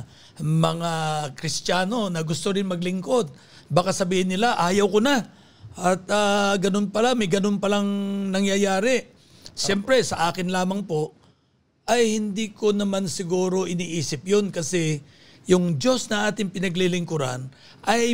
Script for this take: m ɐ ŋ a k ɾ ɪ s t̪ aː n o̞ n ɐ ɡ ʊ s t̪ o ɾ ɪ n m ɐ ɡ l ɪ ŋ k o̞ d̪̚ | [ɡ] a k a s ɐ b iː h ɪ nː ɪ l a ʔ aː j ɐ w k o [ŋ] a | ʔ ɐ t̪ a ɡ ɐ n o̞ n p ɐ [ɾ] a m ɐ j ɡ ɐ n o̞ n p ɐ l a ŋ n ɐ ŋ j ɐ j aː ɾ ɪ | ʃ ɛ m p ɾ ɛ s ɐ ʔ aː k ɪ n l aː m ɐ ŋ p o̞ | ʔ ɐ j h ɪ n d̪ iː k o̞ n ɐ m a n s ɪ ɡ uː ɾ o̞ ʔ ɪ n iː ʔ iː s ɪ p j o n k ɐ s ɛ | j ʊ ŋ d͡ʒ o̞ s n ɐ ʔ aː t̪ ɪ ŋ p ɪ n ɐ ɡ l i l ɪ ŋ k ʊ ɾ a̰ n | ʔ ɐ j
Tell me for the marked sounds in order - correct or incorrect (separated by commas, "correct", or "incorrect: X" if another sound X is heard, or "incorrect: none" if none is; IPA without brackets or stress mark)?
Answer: incorrect: b, incorrect: n, incorrect: l